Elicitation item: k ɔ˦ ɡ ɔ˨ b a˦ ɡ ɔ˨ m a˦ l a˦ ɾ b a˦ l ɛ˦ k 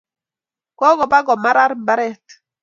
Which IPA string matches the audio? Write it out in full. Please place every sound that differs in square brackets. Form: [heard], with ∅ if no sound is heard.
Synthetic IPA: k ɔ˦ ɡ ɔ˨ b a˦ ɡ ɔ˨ m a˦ [ɾ] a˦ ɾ b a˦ [ɾ] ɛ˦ [t]